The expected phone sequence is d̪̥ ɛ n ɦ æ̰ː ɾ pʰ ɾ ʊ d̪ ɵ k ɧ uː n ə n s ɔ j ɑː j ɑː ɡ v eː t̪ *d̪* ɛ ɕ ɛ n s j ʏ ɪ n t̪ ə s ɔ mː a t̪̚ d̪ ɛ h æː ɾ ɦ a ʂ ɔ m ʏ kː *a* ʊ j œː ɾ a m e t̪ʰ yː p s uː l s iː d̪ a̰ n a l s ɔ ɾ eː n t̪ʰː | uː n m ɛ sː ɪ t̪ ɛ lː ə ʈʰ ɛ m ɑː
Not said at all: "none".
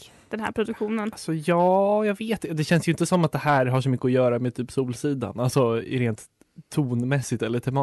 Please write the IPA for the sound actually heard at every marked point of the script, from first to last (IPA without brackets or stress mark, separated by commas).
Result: d̪, ə